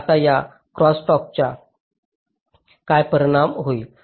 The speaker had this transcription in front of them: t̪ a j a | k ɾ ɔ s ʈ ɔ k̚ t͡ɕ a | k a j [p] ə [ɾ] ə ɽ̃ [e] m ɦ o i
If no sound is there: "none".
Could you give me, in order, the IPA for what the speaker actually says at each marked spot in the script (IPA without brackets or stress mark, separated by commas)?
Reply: p, ɾ, a